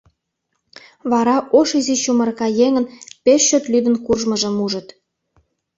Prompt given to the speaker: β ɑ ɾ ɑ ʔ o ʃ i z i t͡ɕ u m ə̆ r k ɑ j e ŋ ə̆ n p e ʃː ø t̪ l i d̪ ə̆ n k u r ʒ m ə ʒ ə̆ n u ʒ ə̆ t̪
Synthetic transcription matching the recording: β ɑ ɾ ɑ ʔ o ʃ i z i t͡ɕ u m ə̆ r k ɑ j e ŋ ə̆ n p e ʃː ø t̪ l y d̪ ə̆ n k u r ʒ m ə ʒ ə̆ m u ʒ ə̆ t̪

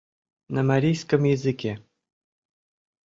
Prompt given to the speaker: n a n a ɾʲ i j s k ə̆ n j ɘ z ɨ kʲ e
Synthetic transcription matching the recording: n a m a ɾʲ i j s k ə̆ m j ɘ z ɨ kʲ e

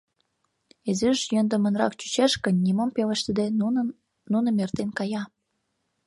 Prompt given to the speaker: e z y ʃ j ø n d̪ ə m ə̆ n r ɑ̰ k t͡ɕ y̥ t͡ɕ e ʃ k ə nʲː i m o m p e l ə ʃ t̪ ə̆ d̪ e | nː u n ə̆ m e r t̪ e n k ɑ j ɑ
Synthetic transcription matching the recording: e z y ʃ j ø n d̪ ə m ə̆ n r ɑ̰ k t͡ɕ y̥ t͡ɕ e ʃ k ə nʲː i m o m p e l ə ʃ t̪ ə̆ d̪ e | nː u n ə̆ m e r t̪ e n k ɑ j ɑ

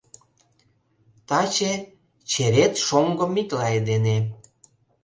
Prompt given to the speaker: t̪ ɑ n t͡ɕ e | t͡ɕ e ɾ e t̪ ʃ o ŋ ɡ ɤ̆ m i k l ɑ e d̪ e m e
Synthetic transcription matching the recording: t̪ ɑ t͡ɕ e | t͡ɕ e ɾ e t̪ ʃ o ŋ ɡ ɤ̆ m i k l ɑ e d̪ e n e

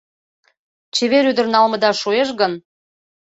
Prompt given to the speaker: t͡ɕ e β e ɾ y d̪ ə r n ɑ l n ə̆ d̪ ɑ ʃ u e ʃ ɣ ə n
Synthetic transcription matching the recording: t͡ɕ e β e ɾ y d̪ ə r n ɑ l m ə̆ d̪ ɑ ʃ u e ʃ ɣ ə n

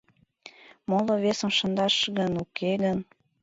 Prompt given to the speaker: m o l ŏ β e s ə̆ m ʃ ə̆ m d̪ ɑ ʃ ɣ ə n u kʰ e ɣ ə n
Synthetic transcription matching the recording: m o l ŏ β e s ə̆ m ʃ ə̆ n d̪ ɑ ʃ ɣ ə n u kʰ e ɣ ə n

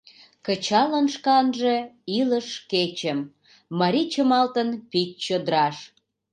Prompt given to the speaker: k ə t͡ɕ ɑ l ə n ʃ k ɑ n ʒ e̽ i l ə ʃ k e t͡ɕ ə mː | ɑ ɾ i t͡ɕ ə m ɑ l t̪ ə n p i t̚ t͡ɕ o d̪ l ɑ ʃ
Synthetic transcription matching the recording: k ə t͡ɕ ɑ l ə n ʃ k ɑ n ʒ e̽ i l ə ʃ k e t͡ɕ ə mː | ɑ ɾ i t͡ɕ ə m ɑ l t̪ ə n p i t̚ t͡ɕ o d̪ ɾ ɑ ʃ

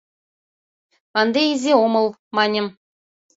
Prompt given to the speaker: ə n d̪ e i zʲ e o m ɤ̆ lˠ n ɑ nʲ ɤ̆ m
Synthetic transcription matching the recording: ɑ n d̪ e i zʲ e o m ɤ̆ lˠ m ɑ nʲ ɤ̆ m

